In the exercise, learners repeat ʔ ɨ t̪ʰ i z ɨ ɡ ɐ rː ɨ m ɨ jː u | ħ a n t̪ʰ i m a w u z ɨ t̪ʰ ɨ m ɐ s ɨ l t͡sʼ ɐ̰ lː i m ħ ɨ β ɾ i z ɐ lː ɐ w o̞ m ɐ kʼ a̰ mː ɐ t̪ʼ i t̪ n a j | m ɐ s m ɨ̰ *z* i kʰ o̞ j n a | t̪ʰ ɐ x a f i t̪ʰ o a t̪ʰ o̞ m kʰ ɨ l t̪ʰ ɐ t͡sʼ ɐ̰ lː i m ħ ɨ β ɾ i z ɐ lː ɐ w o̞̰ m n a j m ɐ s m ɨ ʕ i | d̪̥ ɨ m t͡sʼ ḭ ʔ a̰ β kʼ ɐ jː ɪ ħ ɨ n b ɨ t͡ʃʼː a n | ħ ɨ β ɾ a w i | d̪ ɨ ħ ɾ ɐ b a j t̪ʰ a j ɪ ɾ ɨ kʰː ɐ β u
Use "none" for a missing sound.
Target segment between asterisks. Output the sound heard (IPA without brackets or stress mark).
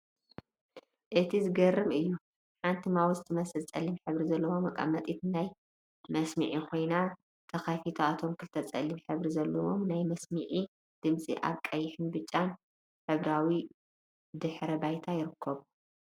ʕ